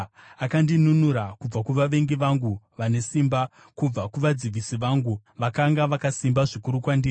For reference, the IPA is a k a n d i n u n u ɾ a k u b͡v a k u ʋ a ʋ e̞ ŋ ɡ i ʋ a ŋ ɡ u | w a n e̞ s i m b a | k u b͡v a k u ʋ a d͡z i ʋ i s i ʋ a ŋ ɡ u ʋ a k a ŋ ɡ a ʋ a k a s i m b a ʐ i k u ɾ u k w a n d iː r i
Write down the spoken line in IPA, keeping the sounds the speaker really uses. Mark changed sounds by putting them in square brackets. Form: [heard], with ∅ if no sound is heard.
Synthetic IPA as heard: a k a n d i n u n u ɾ a k u b͡v a k u ʋ a ʋ e̞ ŋ ɡ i ʋ a ŋ ɡ u | [ʋ] a n e̞ s i m b a | k u b͡v a k u ʋ a d͡z i ʋ i s i ʋ a ŋ ɡ u ʋ a k a ŋ ɡ a ʋ a k a s i m b a ʐ i k u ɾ u k w a n d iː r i